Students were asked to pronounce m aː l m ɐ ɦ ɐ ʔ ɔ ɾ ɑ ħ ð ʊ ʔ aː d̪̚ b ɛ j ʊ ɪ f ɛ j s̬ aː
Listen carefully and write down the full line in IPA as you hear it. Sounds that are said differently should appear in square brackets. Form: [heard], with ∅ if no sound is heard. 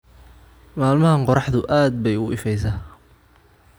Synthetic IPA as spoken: m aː l m ɐ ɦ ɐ [q] ɔ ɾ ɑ ħ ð ʊ ʔ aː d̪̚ b ɛ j ʊ ɪ f ɛ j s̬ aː